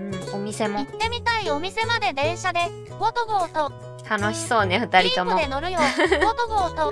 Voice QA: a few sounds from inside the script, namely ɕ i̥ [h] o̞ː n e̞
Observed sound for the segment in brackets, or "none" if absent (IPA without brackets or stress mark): s